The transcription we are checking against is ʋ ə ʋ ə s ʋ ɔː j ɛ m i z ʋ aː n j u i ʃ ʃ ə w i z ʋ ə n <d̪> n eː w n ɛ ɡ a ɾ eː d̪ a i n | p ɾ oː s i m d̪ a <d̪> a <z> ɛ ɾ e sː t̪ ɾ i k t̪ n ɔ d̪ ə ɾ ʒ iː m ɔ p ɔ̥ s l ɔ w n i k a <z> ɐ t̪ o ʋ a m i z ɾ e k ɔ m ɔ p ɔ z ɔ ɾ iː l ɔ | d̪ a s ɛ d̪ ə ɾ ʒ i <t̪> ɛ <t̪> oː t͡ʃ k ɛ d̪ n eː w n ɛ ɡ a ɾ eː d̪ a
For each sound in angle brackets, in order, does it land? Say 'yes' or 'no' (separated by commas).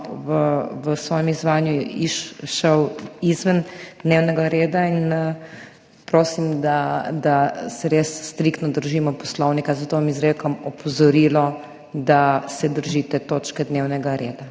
yes, yes, no, yes, yes, yes